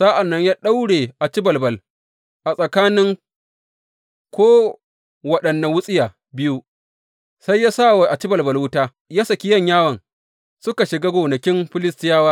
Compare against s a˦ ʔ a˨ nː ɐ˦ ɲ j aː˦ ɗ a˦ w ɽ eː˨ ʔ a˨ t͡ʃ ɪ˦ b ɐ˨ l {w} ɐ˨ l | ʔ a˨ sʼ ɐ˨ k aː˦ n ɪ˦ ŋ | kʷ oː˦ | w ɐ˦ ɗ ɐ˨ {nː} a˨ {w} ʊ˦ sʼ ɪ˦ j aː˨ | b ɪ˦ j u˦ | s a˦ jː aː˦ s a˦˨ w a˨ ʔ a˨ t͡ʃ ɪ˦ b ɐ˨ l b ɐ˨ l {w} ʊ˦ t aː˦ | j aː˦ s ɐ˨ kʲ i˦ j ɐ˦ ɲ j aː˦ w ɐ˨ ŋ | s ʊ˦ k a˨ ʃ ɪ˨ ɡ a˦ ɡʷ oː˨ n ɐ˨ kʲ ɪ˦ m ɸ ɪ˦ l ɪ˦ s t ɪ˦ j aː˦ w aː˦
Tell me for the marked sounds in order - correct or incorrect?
incorrect: b, correct, correct, correct

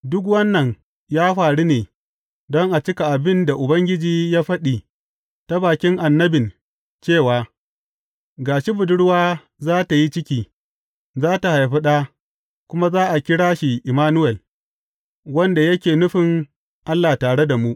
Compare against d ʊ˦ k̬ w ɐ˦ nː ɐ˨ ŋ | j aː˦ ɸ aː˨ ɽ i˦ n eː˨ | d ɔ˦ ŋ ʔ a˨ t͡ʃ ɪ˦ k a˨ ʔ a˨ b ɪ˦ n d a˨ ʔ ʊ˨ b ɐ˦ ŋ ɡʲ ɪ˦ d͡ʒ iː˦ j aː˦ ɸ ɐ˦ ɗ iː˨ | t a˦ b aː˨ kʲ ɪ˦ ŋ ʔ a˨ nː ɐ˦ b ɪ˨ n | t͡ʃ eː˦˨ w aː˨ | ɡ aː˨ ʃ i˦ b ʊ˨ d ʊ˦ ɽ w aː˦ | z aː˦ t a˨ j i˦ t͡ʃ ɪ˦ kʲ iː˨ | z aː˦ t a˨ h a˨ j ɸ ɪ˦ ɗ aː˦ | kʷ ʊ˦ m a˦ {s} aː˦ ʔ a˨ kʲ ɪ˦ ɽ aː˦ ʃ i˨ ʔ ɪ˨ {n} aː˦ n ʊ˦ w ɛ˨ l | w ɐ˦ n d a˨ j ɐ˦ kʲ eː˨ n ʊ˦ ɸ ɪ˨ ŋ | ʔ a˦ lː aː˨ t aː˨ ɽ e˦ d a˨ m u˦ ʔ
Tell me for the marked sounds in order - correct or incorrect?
incorrect: z, incorrect: m

